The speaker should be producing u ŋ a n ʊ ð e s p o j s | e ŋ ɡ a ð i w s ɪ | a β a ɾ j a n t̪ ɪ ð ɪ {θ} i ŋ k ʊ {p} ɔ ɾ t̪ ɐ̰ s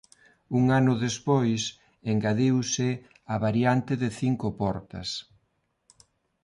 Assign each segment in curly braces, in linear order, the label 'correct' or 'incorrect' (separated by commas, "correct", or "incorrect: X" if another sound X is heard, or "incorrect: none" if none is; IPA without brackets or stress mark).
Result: correct, correct